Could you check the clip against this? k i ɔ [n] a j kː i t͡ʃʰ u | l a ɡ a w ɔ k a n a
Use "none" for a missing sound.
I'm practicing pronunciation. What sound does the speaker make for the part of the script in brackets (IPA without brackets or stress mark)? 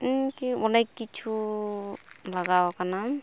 n